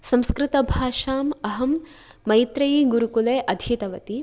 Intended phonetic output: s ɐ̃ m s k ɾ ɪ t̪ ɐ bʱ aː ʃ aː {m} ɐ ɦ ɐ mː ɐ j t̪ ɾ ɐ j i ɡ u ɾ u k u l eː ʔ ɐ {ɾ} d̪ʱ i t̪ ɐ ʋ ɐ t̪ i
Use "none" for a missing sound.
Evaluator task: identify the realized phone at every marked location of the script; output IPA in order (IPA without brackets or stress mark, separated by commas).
m, none